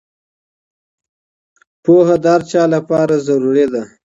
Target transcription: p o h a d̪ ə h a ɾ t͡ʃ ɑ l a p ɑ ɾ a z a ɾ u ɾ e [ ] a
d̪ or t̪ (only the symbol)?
d̪